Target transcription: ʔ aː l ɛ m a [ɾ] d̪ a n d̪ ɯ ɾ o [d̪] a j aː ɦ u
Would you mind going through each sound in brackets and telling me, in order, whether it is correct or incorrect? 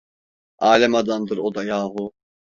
incorrect: none, correct

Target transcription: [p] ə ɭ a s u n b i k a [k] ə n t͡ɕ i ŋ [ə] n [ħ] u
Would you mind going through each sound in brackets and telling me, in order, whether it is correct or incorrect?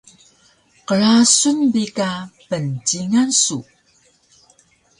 incorrect: q, incorrect: p, incorrect: a, incorrect: s

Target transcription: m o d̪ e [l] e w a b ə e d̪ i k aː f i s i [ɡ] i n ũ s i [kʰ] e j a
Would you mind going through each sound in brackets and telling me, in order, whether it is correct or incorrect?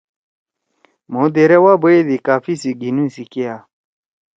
incorrect: ɾ, correct, incorrect: k

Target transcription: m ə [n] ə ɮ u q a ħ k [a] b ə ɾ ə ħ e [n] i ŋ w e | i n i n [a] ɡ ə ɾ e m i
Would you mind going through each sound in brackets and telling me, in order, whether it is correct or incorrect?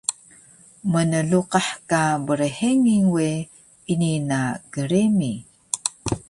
correct, correct, incorrect: ŋ, correct

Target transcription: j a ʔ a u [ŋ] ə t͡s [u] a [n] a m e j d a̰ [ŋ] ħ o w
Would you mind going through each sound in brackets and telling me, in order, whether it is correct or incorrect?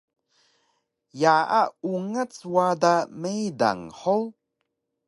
correct, incorrect: w, incorrect: d, correct

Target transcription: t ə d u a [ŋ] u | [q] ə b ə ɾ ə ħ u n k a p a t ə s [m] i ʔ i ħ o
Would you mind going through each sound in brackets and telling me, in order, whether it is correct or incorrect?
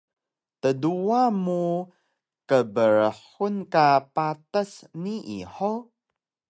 incorrect: m, incorrect: k, incorrect: n

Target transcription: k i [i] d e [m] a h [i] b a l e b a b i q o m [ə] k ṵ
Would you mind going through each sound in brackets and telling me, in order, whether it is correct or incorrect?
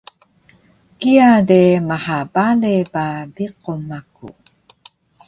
incorrect: a, correct, incorrect: a, incorrect: a

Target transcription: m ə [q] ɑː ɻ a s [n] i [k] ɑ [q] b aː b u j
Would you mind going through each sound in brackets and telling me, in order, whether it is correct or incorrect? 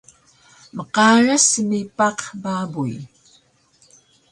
correct, incorrect: m, incorrect: p, correct

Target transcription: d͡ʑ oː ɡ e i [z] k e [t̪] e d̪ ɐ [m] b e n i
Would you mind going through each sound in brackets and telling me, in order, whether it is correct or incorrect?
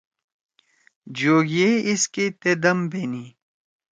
incorrect: s, correct, correct

